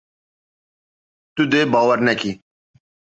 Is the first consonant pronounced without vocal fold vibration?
yes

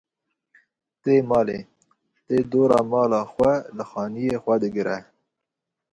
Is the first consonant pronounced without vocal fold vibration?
yes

